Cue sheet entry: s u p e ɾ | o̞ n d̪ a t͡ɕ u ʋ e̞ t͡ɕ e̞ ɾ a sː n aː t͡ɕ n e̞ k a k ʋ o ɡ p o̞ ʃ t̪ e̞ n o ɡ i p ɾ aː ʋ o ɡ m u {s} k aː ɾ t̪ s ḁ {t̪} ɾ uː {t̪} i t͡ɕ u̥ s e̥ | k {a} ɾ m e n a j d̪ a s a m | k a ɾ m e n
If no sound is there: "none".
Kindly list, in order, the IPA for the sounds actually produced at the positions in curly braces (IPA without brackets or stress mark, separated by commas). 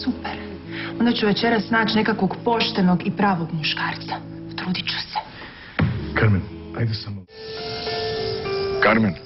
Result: ʃ, t̪, d̪, a